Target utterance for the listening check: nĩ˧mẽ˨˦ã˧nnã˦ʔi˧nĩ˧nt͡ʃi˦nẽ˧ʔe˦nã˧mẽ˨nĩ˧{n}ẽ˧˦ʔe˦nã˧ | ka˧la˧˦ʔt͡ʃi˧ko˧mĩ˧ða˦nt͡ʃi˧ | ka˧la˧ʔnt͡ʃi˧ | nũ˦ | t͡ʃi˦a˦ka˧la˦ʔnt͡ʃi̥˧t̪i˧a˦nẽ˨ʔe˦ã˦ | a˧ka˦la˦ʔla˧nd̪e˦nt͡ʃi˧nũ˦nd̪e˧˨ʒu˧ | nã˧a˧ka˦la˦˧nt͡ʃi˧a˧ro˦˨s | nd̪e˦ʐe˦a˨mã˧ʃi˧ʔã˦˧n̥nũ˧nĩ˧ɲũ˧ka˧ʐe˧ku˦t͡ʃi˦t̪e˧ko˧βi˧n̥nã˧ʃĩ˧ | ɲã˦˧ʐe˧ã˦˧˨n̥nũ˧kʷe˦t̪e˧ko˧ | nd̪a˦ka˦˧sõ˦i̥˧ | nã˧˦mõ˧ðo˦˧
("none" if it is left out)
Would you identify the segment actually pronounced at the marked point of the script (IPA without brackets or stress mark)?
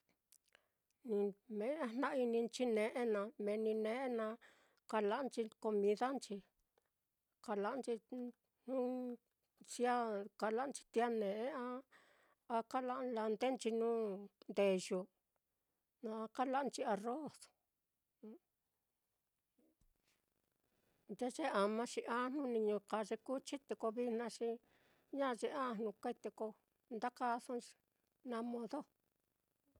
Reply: n